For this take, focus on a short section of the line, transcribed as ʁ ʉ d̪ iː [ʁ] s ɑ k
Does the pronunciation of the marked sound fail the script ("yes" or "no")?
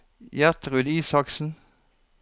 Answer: yes